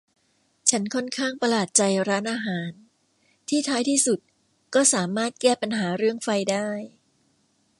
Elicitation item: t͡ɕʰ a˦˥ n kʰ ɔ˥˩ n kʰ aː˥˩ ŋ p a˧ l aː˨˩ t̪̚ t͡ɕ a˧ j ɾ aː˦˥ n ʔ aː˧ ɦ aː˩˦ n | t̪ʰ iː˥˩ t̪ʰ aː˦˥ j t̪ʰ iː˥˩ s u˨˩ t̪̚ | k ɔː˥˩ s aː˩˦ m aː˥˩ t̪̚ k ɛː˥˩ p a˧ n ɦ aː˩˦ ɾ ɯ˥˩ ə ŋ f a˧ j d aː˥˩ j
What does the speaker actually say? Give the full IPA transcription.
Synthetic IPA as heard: t͡ɕʰ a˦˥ n kʰ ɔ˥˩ n kʰ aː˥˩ ŋ p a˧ l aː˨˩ t̪̚ t͡ɕ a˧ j ɾ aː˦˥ n ʔ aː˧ ɦ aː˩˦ n | t̪ʰ iː˥˩ t̪ʰ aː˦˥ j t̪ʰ iː˥˩ s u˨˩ t̪̚ | k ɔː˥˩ s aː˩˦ m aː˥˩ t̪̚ k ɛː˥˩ p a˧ n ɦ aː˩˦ ɾ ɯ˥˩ ə ŋ f a˧ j d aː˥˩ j

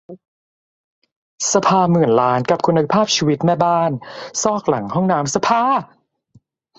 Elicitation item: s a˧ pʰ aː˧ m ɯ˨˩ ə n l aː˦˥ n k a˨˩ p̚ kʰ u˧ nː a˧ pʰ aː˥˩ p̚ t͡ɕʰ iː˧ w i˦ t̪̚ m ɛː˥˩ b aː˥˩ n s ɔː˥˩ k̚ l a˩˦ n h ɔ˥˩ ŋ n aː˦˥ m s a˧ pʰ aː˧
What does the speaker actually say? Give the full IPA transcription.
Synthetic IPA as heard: s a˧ pʰ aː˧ m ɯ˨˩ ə n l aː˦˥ n k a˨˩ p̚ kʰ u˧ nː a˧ pʰ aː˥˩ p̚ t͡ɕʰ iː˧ w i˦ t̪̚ m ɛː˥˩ b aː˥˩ n s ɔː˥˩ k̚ l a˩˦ ŋ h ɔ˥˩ ŋ n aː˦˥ m s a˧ pʰ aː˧

